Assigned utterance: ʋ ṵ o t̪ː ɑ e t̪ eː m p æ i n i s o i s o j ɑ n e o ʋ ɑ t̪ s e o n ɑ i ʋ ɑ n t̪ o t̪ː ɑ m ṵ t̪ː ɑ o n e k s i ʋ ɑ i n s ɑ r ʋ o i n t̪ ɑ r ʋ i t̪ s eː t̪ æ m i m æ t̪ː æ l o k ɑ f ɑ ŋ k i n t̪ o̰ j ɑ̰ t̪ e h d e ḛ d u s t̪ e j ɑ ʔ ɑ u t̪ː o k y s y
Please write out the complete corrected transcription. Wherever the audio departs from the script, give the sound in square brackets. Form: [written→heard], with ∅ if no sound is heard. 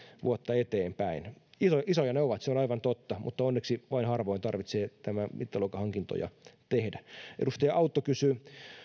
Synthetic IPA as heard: ʋ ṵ o t̪ː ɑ e t̪ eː m p æ i n i s o i s o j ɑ n e o ʋ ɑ t̪ s e o n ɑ i ʋ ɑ n t̪ o t̪ː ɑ m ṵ t̪ː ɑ o [n→nː] e k s i ʋ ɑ i n [s→h] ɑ r ʋ o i n t̪ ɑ r ʋ i t̪ s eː t̪ æ m [i→æ] m [æ→i] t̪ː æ l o k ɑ [f→h] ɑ ŋ k i n t̪ o̰ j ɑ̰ t̪ e h d [e→æ] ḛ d u s t̪ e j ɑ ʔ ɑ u t̪ː o k y s y